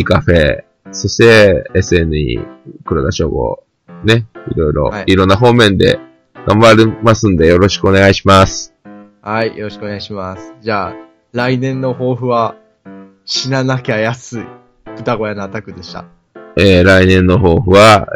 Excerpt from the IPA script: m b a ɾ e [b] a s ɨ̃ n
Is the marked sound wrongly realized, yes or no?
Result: yes